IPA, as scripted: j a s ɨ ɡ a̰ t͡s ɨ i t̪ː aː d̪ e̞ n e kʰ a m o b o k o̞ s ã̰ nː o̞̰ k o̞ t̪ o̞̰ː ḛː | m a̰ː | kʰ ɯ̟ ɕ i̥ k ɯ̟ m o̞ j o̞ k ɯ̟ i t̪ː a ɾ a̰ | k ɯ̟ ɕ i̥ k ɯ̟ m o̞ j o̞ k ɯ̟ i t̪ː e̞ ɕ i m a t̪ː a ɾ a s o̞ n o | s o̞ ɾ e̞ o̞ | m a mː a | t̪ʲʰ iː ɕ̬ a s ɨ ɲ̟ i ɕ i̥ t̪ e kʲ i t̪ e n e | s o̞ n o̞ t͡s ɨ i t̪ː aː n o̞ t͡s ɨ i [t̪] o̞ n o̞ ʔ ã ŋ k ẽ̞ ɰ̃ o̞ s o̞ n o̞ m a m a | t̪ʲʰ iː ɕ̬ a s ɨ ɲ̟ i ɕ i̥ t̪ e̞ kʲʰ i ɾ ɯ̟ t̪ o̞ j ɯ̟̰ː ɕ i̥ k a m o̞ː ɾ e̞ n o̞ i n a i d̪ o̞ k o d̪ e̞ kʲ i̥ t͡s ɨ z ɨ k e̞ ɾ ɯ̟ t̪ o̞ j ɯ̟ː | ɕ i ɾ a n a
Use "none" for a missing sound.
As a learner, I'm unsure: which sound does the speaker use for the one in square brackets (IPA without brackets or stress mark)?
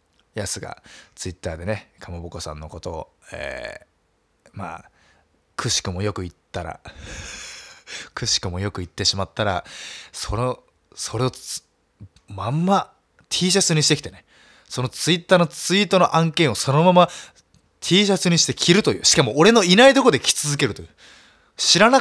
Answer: t̪